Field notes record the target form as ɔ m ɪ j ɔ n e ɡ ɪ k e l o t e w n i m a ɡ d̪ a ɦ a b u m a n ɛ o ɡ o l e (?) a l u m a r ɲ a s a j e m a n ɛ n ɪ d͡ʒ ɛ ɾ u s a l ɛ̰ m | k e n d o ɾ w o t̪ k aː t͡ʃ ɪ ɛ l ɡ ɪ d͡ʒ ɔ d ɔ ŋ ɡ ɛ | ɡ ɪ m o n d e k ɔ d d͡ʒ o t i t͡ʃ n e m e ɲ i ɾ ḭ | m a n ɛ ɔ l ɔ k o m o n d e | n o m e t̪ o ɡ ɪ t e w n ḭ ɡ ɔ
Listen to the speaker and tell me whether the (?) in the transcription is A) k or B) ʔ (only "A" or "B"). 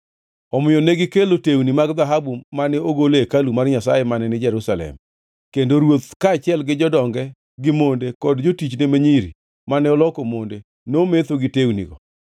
A